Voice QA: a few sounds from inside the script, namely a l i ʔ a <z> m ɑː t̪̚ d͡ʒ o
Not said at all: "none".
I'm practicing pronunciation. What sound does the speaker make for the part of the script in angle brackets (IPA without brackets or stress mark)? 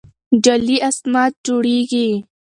s